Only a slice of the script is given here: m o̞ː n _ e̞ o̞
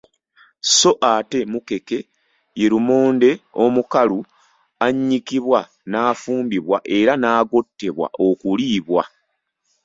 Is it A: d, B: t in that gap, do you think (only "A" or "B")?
A